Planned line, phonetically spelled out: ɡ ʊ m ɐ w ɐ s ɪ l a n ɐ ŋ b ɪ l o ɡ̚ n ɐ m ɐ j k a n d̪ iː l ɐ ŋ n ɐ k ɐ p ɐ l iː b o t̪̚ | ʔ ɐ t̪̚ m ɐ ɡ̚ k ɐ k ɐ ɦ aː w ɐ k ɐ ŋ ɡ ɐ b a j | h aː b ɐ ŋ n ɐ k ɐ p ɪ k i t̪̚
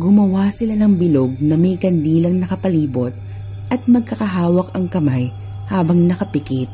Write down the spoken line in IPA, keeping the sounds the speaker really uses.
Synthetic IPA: ɡ ʊ m ɐ w a s ɪ l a n ɐ ŋ b ɪ l o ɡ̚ n ɐ m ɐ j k ɐ n d̪ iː l ɐ ŋ n ɐ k ɐ p ɐ l iː b o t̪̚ | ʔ ɐ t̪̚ m ɐ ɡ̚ k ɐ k ɐ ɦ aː w ɐ k ɐ ŋ k ɐ m a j | h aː b ɐ ŋ n ɐ k ɐ p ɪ k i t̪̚